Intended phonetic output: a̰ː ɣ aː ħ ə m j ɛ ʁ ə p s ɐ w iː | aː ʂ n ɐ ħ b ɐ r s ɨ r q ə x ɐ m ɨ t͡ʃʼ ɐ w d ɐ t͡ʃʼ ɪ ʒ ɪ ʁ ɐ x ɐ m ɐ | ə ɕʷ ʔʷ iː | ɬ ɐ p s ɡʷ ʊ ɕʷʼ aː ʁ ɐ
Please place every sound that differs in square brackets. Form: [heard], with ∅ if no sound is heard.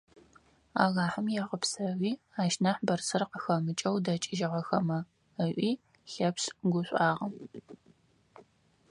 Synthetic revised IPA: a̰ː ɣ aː ħ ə m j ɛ ʁ ə p s ɐ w iː | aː [ʃ] n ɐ ħ b ɐ r s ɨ r q ə x ɐ m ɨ t͡ʃʼ ɐ w d ɐ t͡ʃʼ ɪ ʒ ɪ ʁ ɐ x ɐ m ɐ | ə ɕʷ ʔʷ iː | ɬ ɐ p s ɡʷ ʊ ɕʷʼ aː ʁ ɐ